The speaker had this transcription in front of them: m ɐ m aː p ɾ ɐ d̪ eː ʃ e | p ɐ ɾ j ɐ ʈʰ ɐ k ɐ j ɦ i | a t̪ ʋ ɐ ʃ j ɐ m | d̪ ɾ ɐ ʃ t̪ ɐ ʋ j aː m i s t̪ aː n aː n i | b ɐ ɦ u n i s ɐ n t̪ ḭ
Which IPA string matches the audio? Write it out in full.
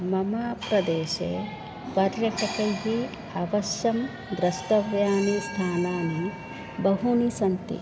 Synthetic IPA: m ɐ m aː p ɾ ɐ d̪ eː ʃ e | p ɐ ɾ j ɐ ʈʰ ɐ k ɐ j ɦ i | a ʋ ɐ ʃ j ɐ m | d̪ ɾ ɐ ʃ t̪ ɐ ʋ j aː n i s t̪ʰ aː n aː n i | b ɐ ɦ u n i s ɐ n t̪ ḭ